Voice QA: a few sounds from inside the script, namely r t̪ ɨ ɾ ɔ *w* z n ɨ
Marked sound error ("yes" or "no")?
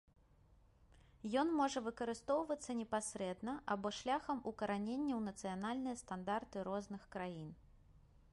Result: yes